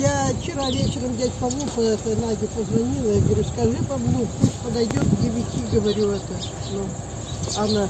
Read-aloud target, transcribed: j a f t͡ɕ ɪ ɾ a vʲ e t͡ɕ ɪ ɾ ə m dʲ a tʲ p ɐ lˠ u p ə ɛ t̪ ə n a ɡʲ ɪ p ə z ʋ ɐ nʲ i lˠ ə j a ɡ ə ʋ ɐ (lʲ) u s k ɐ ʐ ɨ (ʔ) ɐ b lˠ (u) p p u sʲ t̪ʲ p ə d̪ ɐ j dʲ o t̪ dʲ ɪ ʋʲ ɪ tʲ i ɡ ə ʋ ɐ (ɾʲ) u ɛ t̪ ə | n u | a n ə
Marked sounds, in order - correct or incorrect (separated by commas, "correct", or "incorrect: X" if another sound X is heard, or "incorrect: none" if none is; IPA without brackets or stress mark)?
incorrect: ɾʲ, incorrect: p, correct, correct